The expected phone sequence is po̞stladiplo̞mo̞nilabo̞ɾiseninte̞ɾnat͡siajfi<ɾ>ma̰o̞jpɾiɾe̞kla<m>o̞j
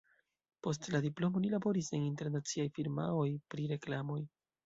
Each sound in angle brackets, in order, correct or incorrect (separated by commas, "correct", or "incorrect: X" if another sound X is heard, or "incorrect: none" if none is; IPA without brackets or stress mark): correct, correct